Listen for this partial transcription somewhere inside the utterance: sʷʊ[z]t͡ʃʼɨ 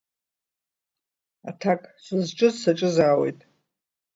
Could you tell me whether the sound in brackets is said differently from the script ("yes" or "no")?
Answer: no